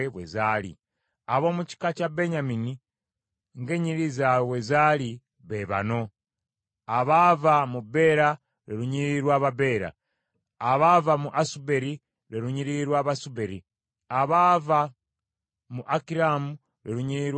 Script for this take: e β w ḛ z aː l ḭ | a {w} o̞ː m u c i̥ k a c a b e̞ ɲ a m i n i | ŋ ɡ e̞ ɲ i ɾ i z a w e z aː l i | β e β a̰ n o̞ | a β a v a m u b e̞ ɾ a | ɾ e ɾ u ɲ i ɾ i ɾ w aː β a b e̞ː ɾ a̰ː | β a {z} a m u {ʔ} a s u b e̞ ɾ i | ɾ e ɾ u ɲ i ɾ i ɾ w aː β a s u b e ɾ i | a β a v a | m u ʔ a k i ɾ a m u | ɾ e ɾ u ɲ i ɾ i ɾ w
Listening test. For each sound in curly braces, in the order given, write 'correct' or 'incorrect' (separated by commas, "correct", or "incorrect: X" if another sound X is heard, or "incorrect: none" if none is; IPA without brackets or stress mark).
incorrect: β, incorrect: v, correct